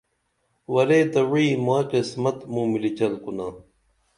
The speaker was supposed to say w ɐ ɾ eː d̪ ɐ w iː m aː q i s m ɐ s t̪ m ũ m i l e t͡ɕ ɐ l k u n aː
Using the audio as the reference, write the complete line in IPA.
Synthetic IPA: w ɐ ɾ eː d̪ ɐ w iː m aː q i s m ɐ t̪ m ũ m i l i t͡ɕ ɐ l k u n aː